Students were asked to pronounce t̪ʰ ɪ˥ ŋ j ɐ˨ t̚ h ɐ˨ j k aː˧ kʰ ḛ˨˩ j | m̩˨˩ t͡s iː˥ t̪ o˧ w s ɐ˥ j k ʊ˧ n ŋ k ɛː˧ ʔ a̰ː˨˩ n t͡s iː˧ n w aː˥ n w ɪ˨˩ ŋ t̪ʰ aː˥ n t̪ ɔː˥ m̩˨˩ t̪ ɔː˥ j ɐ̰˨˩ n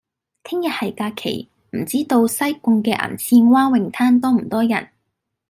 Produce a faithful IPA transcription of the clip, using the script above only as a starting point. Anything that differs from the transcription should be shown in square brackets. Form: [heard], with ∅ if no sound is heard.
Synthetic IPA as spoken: t̪ʰ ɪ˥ ŋ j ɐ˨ t̚ h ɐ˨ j k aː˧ kʰ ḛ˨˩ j | m̩˨˩ t͡s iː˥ t̪ o˧ w s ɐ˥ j k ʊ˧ [∅] ŋ k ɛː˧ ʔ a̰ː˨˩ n [t͡sʰ] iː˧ n w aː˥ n w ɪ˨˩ ŋ t̪ʰ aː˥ n t̪ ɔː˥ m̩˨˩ t̪ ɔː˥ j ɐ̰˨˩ n